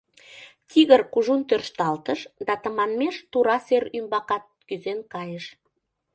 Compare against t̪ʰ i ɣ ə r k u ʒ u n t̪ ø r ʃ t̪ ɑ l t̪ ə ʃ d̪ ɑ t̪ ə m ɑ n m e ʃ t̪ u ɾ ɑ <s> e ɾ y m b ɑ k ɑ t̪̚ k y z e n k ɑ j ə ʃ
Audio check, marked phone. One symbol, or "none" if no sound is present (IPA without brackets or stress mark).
s